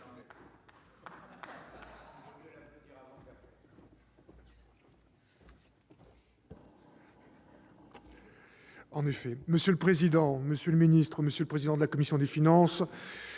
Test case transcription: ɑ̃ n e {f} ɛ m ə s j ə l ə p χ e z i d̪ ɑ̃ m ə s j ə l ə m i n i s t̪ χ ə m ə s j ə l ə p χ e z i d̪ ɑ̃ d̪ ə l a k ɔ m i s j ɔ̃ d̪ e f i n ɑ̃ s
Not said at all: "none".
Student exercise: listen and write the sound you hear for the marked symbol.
f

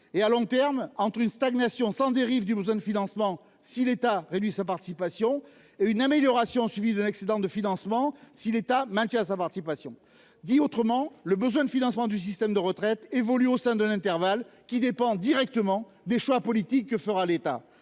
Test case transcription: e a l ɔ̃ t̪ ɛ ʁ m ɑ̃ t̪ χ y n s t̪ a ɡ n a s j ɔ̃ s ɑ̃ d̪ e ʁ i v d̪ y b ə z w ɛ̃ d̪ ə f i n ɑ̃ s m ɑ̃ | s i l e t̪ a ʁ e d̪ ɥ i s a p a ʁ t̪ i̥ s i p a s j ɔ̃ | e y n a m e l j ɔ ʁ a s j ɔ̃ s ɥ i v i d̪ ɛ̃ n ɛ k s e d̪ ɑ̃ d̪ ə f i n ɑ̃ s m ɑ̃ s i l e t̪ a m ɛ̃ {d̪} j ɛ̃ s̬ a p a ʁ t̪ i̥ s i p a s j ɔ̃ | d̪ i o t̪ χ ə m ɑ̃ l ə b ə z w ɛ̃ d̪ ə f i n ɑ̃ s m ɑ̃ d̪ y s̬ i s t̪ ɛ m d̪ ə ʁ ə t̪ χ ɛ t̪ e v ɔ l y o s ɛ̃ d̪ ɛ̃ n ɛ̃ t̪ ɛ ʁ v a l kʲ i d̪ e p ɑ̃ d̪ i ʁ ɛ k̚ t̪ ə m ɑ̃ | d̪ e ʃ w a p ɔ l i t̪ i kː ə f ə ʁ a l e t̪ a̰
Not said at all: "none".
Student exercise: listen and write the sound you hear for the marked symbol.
t̪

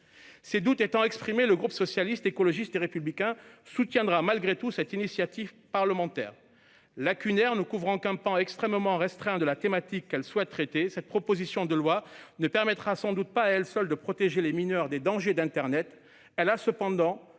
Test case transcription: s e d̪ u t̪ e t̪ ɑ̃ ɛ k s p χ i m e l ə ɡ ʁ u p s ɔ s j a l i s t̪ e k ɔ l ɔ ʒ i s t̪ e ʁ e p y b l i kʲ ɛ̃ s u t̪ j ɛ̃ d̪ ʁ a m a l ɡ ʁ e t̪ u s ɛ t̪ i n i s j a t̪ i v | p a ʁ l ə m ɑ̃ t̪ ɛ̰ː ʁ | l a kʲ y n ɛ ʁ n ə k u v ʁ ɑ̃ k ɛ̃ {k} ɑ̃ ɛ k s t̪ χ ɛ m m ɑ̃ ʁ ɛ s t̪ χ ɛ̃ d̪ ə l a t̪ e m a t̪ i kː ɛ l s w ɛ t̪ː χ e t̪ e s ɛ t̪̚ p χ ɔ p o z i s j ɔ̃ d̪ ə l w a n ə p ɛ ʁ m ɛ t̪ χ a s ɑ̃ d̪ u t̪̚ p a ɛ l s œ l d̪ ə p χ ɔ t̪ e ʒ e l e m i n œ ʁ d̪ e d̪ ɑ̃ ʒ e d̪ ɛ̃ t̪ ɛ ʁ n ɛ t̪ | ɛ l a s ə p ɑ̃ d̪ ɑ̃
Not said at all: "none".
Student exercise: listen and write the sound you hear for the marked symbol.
p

